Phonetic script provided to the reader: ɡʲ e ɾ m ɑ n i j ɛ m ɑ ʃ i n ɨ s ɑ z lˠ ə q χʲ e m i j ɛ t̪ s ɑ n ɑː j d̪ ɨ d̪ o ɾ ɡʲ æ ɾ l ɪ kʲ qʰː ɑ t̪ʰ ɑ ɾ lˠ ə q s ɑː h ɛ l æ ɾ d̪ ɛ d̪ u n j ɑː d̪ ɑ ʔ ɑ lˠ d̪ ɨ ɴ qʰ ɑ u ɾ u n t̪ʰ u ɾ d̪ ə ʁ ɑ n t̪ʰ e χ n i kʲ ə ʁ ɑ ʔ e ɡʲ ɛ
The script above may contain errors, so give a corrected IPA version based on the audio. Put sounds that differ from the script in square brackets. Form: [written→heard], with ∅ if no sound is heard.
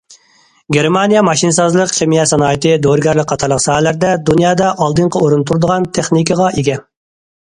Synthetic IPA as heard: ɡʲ e ɾ m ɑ n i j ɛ m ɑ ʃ i n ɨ s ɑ z lˠ ə q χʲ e m i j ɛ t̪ s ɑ n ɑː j [d̪→t̪] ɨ d̪ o ɾ ɡʲ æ ɾ l ɪ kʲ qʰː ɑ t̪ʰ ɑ ɾ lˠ ə q s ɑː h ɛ l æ ɾ d̪ ɛ d̪ u n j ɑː d̪ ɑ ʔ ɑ lˠ d̪ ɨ ɴ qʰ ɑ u ɾ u n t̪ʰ u ɾ d̪ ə ʁ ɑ n t̪ʰ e χ n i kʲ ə ʁ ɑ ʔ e ɡʲ ɛ